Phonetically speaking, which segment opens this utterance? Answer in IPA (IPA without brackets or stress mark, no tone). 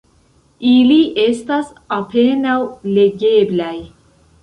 i